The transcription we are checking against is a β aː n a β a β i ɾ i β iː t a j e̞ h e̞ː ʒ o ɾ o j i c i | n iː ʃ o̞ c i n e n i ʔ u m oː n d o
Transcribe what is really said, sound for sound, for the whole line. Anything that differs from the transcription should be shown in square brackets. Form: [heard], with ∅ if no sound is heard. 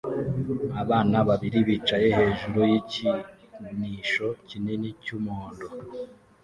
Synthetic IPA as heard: a β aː n a β a β i ɾ i β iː [t͡ʃ] a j e̞ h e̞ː ʒ [u] ɾ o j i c i | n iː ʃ o̞ c i n e n i [c] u m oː n d o